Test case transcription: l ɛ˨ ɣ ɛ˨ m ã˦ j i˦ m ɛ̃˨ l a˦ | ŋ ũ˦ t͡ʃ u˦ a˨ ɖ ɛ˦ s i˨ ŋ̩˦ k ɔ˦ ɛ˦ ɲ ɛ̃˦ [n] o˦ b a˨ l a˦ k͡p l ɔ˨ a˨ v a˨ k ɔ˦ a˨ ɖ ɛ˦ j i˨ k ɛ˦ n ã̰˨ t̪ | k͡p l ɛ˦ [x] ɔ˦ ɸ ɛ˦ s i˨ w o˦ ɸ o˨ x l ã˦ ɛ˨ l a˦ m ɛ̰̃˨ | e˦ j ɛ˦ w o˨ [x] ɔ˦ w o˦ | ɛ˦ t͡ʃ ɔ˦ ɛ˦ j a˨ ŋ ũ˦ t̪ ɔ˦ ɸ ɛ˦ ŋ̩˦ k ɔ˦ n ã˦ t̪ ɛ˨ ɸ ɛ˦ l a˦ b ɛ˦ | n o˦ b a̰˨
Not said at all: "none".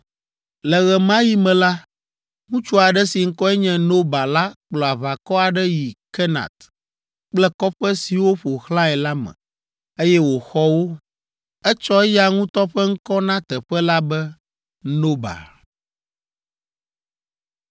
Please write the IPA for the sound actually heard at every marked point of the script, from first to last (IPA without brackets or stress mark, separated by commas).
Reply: n, k, x